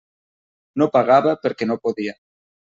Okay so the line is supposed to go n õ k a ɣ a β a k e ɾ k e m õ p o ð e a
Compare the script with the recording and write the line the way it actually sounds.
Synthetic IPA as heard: n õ p a ɣ a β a p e ɾ k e n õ p o ð i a